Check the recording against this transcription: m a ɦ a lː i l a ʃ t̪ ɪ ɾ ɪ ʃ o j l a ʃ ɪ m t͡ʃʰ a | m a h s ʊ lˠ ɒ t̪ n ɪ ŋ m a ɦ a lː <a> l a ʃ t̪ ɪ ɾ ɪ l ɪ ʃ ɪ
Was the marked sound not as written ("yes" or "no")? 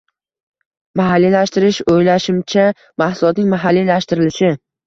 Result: yes